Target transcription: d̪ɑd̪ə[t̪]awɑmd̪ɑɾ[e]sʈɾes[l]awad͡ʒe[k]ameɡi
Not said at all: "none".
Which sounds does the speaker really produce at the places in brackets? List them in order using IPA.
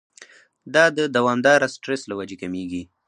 d̪, a, l, k

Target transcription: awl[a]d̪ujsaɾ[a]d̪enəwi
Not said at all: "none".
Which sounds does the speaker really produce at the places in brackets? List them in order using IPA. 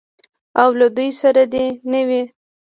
a, a

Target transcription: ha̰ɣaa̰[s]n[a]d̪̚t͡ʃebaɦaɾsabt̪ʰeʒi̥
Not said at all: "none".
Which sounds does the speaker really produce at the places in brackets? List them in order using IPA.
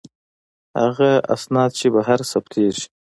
s, ɑ

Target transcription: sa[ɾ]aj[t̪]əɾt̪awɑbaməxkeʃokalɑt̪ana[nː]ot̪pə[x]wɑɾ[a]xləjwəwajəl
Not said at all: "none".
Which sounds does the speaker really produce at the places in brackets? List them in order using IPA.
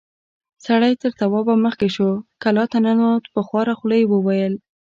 ɽ, t̪, n, x, a

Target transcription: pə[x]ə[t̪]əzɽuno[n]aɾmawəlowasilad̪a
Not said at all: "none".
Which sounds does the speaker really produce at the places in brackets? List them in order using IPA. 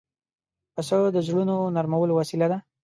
s, d̪, n

